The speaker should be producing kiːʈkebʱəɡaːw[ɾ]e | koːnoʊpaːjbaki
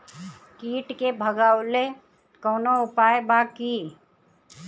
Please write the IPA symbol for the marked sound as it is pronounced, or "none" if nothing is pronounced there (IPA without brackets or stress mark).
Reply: l